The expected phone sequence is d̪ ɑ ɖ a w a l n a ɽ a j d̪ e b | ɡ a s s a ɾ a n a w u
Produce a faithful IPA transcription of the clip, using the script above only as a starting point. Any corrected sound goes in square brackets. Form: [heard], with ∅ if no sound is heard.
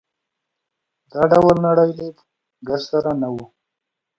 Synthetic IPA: d̪ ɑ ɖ a w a l n a ɽ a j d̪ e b | ɡ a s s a ɾ a n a w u